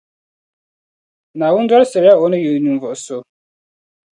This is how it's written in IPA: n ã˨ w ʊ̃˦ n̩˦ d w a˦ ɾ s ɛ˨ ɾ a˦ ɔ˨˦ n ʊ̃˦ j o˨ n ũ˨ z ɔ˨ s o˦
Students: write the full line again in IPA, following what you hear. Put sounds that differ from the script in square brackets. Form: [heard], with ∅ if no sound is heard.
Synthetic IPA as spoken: n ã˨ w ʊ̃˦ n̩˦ d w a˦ ɾ s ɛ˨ ɾ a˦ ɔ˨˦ n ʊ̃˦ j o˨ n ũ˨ [v] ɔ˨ s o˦